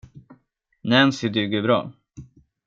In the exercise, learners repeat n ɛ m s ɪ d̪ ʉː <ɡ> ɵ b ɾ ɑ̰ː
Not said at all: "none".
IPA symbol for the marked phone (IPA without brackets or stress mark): ɡ